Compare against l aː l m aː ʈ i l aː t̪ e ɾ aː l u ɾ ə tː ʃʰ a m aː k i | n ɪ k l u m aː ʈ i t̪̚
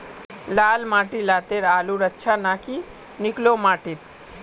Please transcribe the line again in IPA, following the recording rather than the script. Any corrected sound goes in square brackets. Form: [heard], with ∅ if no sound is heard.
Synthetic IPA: l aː l m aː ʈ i l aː t̪ e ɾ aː l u ɾ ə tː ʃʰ a [n] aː k i | n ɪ k l [o] m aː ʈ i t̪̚